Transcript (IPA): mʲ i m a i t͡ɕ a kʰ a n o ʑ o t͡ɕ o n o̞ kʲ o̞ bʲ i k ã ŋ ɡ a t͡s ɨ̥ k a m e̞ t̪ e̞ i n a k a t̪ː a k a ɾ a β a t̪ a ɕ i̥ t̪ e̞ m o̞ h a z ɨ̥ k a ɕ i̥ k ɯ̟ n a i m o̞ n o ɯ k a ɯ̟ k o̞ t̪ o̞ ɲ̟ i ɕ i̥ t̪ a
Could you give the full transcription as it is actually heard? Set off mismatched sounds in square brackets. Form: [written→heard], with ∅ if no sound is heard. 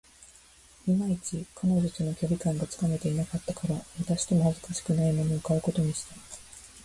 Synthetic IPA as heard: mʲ i m a i t͡ɕ [a→i] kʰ a n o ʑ o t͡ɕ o n o̞ kʲ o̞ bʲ i k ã ŋ ɡ a t͡s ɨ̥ k a m e̞ t̪ e̞ i n a k a t̪ː a k a ɾ a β a t̪ a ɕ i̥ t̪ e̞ m o̞ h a z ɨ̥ k a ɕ i̥ k ɯ̟ n a i m o̞ n o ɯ k a ɯ̟ k o̞ t̪ o̞ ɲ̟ i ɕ i̥ t̪ a